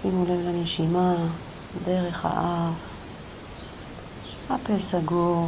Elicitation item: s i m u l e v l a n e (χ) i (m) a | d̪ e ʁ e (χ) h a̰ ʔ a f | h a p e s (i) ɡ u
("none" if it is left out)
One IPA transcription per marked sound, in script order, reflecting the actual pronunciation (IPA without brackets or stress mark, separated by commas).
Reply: ʃ, m, χ, a